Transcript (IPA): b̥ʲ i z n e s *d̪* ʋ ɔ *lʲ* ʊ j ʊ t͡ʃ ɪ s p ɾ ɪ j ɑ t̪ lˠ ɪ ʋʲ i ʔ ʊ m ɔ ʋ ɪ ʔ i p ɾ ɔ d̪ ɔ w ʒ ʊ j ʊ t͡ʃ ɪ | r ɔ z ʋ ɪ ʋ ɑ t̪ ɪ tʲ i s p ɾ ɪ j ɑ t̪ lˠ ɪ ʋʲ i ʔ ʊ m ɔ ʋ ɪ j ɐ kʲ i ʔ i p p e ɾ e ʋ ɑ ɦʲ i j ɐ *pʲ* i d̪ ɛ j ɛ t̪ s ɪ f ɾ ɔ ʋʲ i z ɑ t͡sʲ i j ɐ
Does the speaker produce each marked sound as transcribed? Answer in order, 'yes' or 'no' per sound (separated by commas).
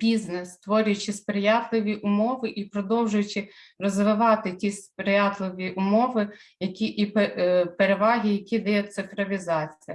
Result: no, no, no